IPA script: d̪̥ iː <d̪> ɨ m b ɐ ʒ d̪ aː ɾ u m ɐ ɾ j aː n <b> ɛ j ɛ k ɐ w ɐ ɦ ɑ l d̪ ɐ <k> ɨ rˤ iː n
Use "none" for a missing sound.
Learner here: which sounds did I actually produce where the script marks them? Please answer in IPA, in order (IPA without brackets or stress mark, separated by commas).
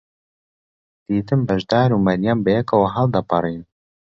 t̪, b, p